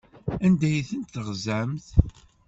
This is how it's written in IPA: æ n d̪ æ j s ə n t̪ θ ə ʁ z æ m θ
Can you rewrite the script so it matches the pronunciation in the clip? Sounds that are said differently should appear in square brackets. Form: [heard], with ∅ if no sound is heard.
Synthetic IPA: æ n d̪ æ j [θ] ə n t̪ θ ə ʁ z æ m θ